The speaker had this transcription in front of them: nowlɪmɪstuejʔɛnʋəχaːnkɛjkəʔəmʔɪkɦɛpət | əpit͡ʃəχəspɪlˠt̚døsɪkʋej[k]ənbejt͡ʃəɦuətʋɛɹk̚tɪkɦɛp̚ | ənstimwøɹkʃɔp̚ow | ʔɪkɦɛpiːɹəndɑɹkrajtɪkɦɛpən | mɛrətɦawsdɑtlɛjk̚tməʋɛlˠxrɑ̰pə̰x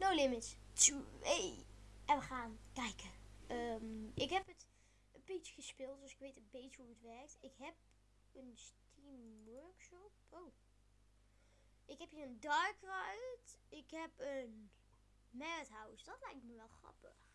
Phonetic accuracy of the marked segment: incorrect: t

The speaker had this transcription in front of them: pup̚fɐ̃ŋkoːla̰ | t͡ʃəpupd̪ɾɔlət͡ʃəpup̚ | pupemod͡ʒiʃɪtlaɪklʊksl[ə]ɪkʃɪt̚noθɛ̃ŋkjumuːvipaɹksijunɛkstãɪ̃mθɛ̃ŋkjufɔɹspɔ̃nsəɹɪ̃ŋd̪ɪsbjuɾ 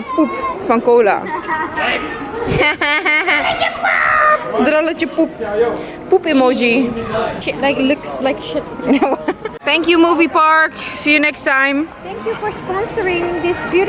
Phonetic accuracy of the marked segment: incorrect: a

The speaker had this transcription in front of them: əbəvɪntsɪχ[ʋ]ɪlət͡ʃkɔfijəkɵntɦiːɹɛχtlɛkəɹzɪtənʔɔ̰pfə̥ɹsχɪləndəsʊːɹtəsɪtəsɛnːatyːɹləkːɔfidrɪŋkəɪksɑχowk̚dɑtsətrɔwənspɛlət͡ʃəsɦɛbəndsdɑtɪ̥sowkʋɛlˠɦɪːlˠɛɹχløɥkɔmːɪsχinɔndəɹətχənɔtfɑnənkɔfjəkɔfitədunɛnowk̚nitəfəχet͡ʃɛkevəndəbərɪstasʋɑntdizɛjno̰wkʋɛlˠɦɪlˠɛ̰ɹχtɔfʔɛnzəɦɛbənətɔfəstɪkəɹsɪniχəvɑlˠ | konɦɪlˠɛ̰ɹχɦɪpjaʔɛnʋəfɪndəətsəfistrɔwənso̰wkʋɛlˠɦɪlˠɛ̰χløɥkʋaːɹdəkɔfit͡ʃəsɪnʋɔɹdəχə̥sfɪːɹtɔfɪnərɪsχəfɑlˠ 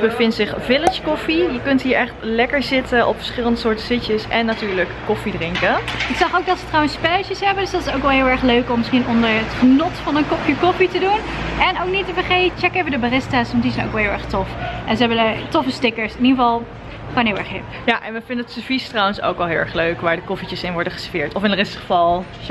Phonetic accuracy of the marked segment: incorrect: v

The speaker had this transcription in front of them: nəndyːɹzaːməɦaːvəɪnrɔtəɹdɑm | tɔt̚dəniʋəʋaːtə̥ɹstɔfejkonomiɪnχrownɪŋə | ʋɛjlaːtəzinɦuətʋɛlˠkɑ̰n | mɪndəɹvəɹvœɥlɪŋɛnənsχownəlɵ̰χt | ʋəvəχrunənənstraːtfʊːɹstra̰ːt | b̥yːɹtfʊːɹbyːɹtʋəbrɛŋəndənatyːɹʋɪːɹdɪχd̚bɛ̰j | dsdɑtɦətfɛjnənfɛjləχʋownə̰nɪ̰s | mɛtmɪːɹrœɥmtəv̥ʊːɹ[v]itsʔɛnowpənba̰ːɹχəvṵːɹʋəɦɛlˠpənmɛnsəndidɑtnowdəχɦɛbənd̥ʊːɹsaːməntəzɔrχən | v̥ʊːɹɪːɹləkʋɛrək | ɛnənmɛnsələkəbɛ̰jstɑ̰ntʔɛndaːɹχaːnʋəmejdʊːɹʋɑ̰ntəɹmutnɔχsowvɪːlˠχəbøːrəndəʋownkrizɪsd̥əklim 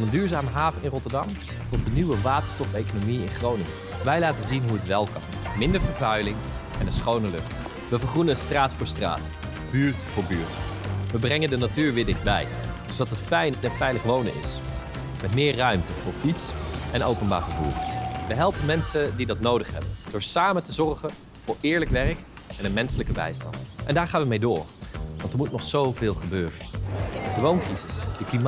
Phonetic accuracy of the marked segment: incorrect: f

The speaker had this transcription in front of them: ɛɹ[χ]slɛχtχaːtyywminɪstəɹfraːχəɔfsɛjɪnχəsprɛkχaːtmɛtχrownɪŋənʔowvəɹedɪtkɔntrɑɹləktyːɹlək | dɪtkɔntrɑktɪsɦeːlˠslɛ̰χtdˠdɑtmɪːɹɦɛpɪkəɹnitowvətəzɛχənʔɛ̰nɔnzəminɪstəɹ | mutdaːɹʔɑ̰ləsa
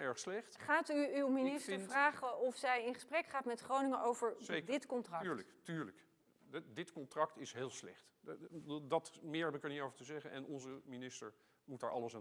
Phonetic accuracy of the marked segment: correct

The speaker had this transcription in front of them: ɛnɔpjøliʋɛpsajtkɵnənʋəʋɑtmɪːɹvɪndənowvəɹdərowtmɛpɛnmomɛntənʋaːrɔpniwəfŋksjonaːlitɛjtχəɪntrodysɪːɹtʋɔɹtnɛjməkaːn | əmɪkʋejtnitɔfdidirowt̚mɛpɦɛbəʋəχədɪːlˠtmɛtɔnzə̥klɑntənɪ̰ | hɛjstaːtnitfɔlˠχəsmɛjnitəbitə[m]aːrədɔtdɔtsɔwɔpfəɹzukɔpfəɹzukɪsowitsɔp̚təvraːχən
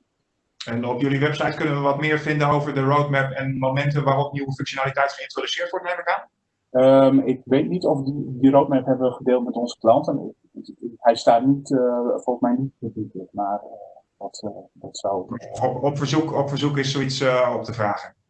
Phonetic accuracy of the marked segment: correct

